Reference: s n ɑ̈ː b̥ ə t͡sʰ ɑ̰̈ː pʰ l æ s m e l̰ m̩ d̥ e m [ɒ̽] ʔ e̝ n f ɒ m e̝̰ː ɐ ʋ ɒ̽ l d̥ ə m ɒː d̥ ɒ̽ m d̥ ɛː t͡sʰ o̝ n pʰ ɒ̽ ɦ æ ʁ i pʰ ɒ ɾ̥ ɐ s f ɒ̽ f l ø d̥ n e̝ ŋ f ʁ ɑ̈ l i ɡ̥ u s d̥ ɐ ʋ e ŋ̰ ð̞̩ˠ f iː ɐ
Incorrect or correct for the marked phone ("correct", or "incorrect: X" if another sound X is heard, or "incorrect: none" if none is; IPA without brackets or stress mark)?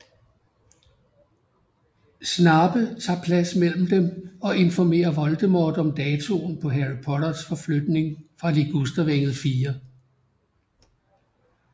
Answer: correct